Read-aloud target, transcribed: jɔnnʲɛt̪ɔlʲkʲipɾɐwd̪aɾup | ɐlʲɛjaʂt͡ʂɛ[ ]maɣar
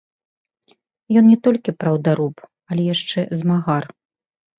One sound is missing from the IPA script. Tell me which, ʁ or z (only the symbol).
z